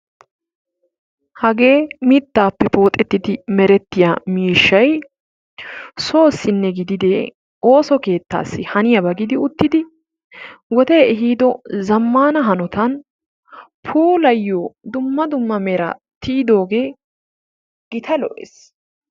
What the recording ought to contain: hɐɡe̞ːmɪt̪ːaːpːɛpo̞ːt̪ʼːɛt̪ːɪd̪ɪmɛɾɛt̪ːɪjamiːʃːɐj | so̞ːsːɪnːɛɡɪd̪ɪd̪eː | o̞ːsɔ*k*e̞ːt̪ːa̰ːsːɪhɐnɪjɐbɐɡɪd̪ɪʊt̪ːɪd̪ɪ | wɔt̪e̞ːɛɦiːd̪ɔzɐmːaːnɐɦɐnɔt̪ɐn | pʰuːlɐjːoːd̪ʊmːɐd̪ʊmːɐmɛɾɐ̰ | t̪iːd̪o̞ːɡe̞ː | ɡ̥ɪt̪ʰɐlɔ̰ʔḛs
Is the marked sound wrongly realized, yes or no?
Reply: no